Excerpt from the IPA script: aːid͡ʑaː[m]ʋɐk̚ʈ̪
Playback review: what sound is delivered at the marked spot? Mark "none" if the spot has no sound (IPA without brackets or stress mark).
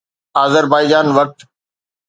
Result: n